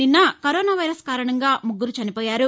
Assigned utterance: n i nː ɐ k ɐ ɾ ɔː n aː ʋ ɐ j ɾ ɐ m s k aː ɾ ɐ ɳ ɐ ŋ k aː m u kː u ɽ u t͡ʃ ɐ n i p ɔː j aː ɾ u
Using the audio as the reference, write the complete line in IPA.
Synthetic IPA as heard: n i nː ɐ k ɐ ɾ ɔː n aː ʋ ɐ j ɾ ɐ s k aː ɾ ɐ ɳ ɐ ŋ ɡ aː m u ɡː u ɾ u t͡ʃ ɐ n i p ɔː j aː ɾ u